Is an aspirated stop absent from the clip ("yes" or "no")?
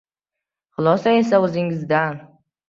yes